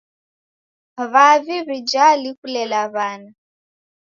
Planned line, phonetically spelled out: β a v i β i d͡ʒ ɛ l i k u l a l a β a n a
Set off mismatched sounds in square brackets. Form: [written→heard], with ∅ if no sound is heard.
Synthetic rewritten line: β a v i β i d͡ʒ [ɛ→a] l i k u l [a→ɛ] l a β a n a